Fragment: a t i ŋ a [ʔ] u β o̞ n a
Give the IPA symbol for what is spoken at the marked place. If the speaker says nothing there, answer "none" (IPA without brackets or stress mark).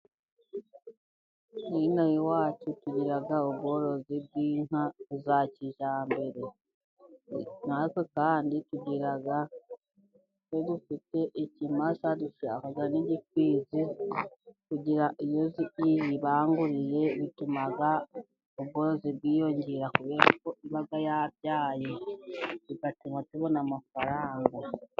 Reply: t